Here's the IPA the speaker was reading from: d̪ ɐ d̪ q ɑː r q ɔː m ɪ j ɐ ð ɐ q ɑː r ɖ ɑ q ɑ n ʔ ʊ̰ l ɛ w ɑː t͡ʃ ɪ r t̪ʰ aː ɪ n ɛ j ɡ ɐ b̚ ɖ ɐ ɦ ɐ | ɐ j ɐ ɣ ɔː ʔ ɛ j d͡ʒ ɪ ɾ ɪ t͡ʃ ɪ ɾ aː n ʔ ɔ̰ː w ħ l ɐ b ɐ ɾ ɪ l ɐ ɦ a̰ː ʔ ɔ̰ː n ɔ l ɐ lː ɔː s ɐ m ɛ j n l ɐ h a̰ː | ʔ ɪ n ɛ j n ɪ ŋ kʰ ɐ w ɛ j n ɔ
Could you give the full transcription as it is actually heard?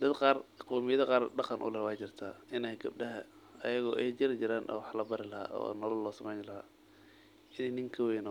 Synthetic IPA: d̪ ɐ d̪ q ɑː r q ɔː m ɪ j ɐ ð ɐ q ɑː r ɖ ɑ q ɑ n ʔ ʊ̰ l ɛ w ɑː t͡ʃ ɪ r t̪ʰ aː ɪ n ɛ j ɡ ɐ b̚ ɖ ɐ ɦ ɐ | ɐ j ɐ ɣ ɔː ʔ ɛ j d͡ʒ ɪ ɾ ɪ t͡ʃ ɪ ɾ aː n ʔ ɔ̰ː w ħ l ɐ b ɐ ɾ ɪ l ɐ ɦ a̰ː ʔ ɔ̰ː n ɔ l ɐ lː ɔː s ɐ m ɛ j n l ɐ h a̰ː | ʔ ɪ n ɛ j n ɪ ŋ kʰ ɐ w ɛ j n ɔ

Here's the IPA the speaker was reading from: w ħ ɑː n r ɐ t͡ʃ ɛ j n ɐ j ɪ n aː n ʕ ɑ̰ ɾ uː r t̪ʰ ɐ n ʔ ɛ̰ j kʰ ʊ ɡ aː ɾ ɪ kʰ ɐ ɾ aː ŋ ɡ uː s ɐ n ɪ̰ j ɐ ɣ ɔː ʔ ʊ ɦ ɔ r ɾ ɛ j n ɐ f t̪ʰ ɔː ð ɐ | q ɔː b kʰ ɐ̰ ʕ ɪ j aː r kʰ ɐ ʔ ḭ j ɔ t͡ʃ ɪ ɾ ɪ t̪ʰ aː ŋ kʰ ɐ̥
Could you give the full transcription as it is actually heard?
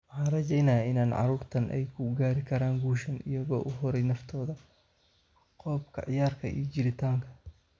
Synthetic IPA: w ħ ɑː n r ɐ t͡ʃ ɛ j n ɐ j ɪ n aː n ʕ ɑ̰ ɾ uː r t̪ʰ ɐ n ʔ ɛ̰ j kʰ ʊ ɡ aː ɾ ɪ kʰ ɐ ɾ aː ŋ ɡ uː ʃ ɐ n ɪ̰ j ɐ ɣ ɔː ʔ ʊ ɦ ɔ ɾ ɛ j n ɐ f t̪ʰ ɔː ð ɐ | q ɔː b kʰ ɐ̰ ʕ ɪ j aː r kʰ ɐ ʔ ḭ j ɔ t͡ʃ ɪ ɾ ɪ t̪ʰ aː ŋ kʰ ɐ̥

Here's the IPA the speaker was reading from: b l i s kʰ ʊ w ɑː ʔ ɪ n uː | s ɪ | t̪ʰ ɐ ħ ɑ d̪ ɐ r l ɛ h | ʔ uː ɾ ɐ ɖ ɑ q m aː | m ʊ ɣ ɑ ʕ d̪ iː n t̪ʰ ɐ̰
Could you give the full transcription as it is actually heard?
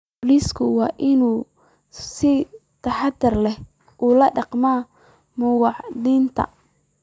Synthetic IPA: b l i s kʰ ʊ w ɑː ʔ ɪ n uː | s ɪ | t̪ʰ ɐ ħ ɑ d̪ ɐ r l ɛ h | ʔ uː l ɐ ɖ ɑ q m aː | m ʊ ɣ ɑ ʕ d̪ iː n t̪ʰ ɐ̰

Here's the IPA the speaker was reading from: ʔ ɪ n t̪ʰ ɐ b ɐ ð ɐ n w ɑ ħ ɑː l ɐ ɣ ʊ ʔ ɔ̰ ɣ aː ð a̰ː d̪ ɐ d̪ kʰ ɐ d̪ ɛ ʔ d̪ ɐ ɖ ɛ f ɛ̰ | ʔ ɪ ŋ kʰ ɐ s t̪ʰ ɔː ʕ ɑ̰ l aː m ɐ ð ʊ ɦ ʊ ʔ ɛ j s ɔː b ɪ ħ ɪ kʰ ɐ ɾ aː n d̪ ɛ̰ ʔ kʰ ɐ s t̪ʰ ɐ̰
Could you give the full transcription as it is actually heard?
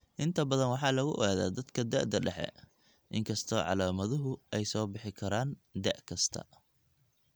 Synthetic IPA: ʔ ɪ n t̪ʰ ɐ b ɐ ð ɐ n w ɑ ħ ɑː l ɐ ɣ ʊ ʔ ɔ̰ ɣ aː ð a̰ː d̪ ɐ d̪ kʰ ɐ d̪ ɛ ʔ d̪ ɐ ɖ ɛ ħ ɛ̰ | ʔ ɪ ŋ kʰ ɐ s t̪ʰ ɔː ʕ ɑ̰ l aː m ɐ ð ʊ ɦ ʊ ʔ ɛ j s ɔː b ɪ ħ ɪ kʰ ɐ ɾ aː n d̪ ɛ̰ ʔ kʰ ɐ s t̪ʰ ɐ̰

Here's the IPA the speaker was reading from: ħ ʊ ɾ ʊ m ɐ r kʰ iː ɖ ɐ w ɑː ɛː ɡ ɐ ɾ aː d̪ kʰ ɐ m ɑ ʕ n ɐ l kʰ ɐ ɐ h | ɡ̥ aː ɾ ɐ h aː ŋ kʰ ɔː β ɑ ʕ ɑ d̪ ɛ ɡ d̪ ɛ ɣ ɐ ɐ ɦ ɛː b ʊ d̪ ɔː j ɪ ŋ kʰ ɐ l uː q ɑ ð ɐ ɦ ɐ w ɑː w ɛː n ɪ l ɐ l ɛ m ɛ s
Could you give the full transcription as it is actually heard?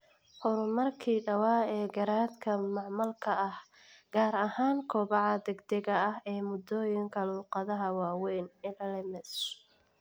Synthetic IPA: ħ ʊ ɾ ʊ m ɐ r kʰ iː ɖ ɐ w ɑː ɛː ɡ ɐ ɾ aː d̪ kʰ ɐ m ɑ ʕ m ɐ l kʰ ɐ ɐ h | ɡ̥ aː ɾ ɐ h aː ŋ kʰ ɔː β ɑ ʕ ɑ d̪ ɛ ɡ d̪ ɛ ɣ ɐ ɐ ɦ ɛː m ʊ d̪ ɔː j ɪ ŋ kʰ ɐ l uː q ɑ ð ɐ ɦ ɐ w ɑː w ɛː n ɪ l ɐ l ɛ m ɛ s

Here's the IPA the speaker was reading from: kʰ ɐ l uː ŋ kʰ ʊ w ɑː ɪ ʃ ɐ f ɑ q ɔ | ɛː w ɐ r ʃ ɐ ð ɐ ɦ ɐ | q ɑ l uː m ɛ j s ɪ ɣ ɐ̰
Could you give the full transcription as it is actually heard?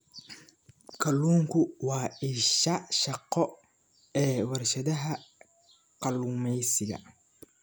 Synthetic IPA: kʰ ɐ l uː ŋ kʰ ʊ w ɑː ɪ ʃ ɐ ʃ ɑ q ɔ | ɛː w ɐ r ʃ ɐ ð ɐ ɦ ɐ | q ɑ l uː m ɛ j s ɪ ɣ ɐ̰

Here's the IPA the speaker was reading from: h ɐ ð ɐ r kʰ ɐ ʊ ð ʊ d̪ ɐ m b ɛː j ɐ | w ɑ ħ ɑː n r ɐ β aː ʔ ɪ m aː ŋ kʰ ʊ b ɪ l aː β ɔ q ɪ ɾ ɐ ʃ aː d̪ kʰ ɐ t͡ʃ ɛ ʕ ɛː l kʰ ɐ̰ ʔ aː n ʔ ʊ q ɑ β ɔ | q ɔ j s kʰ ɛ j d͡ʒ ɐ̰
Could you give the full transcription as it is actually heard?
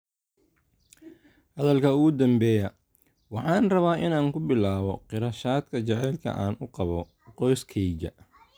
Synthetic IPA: h ɐ ð ɐ l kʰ ɐ ʊ ɣ ʊ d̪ ɐ m b ɛː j ɐ | w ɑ ħ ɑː n r ɐ β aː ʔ ɪ n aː ŋ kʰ ʊ b ɪ l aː β ɔ q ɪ ɾ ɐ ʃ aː d̪ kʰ ɐ t͡ʃ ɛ ʕ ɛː l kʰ ɐ̰ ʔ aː n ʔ ʊ q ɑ β ɔ | q ɔ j s kʰ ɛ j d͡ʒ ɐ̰

